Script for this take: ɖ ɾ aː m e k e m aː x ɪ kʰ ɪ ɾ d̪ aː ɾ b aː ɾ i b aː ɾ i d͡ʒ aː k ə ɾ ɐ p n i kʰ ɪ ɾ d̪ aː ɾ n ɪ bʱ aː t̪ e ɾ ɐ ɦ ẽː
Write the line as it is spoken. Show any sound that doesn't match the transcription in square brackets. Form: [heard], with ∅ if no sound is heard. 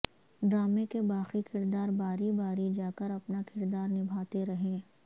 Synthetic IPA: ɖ ɾ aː m e k e [b] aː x [i] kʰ ɪ ɾ d̪ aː ɾ b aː ɾ i b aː ɾ i d͡ʒ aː k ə ɾ ɐ p n [a] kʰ ɪ ɾ d̪ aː ɾ n ɪ bʱ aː t̪ e ɾ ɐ ɦ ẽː